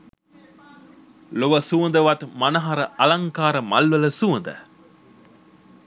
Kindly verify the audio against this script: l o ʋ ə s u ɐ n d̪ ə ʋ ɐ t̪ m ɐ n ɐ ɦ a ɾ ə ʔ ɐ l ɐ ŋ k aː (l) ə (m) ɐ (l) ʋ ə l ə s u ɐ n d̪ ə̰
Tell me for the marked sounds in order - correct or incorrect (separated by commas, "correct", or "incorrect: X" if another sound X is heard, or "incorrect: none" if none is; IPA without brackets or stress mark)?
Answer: incorrect: ɾ, correct, correct